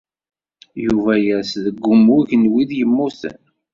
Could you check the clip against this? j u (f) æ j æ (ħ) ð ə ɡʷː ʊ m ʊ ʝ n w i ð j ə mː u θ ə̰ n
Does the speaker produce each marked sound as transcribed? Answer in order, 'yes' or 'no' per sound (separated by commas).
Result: no, no